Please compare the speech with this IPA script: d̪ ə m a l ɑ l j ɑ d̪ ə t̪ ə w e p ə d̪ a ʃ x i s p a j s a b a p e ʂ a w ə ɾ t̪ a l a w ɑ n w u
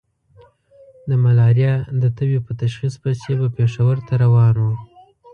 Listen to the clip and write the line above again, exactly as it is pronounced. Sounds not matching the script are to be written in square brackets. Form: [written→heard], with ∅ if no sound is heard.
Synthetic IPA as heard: d̪ ə m a l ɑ [l→ɾ] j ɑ d̪ ə t̪ ə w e p ə [d̪→t̪] a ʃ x i s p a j s [a→e] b a p e ʂ a w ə ɾ t̪ a [l→ɾ] a w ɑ n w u